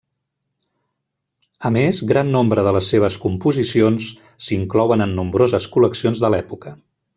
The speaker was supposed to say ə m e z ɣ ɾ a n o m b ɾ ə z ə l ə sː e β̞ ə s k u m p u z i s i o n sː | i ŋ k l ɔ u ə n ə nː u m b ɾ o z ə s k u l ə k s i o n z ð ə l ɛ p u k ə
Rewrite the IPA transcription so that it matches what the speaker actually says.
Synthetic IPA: ə m e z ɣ ɾ a nː o m b ɾ ə ð ə l ə sː e β̞ ə s k u m p u z i s i o n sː | i ŋ k l ɔ w ə n ə nː u m b ɾ o z ə s k u l ə k s i o n z ð ə l ɛ p u k ə